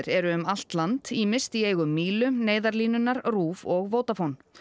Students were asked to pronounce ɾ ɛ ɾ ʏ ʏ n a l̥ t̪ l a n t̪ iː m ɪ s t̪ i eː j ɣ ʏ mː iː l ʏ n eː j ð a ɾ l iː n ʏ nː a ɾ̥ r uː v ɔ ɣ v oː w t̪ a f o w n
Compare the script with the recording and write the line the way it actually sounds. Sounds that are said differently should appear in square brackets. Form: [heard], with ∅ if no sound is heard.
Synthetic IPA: ɾ ɛ ɾ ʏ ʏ [m] a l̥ t̪ l a n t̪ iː m ɪ s t̪ i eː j ɣ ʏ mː iː l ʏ n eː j ð a ɾ l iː n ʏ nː a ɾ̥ r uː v ɔ ɣ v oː w t̪ a f o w n